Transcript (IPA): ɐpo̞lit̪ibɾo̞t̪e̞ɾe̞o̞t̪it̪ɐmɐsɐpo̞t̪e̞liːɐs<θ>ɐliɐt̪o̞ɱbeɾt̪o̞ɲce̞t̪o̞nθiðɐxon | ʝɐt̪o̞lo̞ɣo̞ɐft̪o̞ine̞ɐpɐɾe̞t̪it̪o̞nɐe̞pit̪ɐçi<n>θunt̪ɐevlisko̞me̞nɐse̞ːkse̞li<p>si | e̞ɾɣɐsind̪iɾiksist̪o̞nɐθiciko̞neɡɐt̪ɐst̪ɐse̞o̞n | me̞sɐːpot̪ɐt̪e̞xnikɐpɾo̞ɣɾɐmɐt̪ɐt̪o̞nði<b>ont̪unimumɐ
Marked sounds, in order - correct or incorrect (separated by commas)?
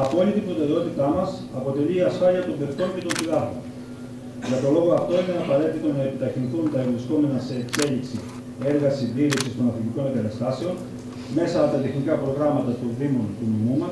incorrect, correct, incorrect, incorrect